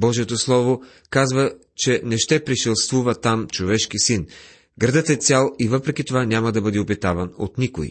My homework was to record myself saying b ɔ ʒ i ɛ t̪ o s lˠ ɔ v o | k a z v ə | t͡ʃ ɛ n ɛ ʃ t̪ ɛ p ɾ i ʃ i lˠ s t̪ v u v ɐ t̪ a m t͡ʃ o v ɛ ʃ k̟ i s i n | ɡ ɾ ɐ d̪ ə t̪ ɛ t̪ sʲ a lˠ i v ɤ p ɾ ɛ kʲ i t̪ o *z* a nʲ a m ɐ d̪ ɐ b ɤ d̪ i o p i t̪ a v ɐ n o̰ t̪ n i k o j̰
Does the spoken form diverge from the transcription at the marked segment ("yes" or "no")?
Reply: yes